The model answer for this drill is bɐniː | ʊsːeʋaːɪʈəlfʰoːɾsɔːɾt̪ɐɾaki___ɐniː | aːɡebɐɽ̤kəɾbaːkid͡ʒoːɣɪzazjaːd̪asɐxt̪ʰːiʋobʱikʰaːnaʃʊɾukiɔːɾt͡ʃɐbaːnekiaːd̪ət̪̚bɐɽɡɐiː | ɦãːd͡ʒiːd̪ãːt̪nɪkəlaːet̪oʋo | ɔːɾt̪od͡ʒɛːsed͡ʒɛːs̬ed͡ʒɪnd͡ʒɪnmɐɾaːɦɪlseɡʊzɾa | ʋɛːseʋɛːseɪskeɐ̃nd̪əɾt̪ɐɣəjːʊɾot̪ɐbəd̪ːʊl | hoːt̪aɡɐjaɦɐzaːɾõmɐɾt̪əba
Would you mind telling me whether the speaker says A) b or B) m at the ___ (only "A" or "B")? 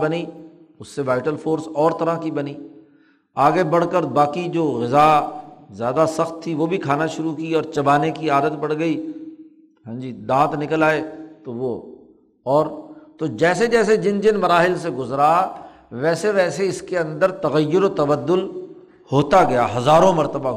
A